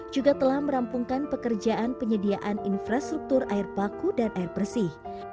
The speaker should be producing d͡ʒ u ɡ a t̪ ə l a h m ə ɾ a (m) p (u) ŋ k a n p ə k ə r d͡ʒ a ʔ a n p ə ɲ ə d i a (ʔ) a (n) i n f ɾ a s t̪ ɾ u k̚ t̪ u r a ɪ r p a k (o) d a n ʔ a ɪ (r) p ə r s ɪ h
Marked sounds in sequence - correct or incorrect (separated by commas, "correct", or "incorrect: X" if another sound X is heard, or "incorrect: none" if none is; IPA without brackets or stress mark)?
correct, correct, correct, correct, incorrect: u, correct